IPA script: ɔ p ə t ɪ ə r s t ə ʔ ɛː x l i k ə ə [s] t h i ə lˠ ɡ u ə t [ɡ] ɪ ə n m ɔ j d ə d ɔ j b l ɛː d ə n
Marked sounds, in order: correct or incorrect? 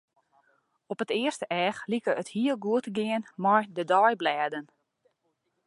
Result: incorrect, correct

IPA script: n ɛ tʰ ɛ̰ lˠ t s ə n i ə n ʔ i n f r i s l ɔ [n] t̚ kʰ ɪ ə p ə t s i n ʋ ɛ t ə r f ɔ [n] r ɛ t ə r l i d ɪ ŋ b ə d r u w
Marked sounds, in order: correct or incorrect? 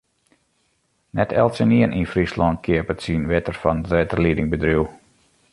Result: correct, correct

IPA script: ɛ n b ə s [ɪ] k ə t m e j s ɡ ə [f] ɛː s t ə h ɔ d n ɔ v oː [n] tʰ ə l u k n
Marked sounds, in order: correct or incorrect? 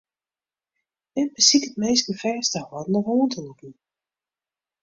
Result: incorrect, correct, correct

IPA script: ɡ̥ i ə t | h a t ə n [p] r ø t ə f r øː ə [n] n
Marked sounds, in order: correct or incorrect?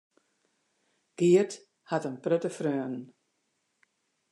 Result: correct, correct

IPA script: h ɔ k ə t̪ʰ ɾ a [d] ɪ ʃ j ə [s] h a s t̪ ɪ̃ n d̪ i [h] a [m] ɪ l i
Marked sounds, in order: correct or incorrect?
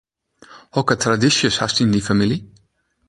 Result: correct, correct, incorrect, correct

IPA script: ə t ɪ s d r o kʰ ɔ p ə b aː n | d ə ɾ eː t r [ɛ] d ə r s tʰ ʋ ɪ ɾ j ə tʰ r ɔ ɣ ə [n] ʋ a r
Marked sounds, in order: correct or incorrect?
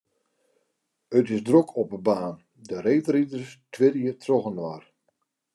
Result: incorrect, correct

